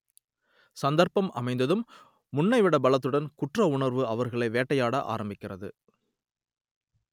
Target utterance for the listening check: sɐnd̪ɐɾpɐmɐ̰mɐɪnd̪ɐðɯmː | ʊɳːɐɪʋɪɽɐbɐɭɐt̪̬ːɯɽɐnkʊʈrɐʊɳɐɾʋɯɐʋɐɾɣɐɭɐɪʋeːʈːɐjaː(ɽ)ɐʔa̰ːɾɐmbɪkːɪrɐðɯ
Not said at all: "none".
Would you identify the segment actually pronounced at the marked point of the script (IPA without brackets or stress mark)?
ɽ